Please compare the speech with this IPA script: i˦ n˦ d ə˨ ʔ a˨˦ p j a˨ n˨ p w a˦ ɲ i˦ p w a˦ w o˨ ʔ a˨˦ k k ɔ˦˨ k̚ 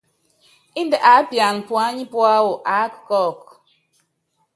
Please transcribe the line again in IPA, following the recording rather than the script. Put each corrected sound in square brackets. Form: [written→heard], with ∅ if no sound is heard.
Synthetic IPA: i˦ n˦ d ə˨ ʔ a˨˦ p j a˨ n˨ p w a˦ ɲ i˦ p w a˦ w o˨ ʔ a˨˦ k k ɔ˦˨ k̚